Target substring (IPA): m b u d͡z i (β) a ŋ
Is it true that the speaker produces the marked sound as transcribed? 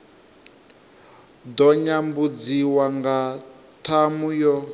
no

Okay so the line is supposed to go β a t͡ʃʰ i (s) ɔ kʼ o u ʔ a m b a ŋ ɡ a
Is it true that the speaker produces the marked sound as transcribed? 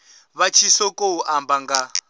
yes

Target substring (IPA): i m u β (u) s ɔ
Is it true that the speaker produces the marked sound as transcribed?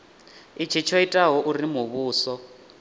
no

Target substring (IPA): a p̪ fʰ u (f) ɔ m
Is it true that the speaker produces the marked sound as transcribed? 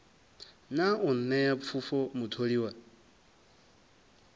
yes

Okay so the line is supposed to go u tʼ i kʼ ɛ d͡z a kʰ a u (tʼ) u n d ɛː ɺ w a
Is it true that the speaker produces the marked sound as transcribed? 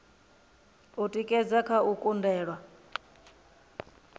no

